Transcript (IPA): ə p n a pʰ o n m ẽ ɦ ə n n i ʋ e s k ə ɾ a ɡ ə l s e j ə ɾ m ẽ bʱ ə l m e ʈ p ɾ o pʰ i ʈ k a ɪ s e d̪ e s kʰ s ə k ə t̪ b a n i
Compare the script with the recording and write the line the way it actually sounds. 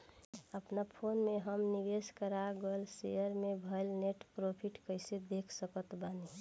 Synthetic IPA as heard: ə p n a pʰ o n m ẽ ɦ ə m n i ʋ e s k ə ɾ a ɡ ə l s e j ə ɾ m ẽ bʱ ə l n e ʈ p ɾ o pʰ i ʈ k ə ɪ s e d̪ e kʰ s ə k ə t̪ b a n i